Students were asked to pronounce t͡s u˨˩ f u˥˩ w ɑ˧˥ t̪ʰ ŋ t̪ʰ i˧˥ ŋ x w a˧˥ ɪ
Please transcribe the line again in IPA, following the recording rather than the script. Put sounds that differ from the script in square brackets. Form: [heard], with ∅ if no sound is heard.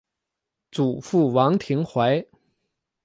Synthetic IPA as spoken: t͡s u˨˩ f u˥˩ w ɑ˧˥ [∅] ŋ t̪ʰ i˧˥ ŋ x w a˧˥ ɪ